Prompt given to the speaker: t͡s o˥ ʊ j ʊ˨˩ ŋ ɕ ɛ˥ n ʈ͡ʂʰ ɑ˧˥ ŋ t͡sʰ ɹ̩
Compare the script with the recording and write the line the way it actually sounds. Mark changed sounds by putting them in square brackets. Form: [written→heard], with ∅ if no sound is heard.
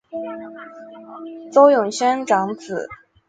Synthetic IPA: t͡s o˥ ʊ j ʊ˨˩ ŋ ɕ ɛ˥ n [ʈ͡ʂʰ→ʈ͡ʂ] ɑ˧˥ ŋ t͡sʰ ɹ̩